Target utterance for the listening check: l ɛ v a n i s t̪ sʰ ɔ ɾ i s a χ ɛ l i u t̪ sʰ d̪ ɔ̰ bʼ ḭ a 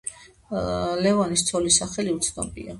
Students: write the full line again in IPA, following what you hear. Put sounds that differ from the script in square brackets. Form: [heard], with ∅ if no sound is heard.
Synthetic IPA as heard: l ɛ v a n i s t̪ sʰ ɔ [l] i s a χ ɛ l i u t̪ sʰ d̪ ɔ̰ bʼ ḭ a